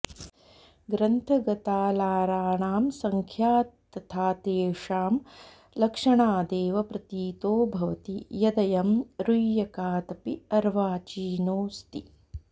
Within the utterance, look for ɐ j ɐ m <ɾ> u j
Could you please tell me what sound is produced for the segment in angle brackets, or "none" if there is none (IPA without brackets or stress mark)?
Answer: ɾ